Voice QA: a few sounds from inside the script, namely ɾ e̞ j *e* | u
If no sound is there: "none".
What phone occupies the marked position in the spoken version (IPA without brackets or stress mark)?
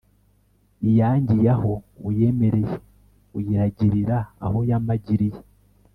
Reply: e